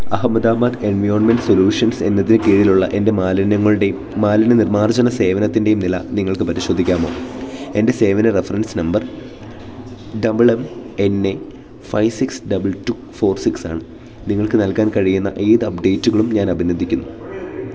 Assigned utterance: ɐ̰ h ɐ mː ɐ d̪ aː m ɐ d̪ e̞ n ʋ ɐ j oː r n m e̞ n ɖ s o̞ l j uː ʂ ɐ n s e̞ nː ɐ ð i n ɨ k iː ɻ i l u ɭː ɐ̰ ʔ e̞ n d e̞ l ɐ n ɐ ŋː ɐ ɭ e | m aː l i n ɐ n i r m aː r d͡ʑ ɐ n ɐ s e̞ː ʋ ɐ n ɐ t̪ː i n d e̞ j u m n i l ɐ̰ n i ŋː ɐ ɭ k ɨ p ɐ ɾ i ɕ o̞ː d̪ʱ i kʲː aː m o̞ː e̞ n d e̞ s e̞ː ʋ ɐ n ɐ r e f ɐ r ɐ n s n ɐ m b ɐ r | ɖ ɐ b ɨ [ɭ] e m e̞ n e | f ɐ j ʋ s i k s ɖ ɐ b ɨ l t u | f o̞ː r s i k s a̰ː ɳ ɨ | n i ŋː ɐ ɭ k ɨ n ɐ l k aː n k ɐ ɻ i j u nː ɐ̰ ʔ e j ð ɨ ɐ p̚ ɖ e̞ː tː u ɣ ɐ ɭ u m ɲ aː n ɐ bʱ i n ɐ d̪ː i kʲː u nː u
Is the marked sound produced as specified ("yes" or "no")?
yes